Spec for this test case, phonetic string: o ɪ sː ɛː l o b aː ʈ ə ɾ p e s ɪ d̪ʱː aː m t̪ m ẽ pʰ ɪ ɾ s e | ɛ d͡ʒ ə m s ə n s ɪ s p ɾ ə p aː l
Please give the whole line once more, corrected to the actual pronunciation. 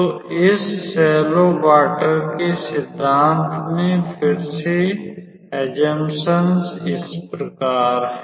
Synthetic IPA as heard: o ɪ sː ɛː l o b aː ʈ ə ɾ k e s ɪ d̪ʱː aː n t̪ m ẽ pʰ ɪ ɾ s e | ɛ d͡ʒ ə m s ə n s ɪ s p ɾ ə k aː ɾ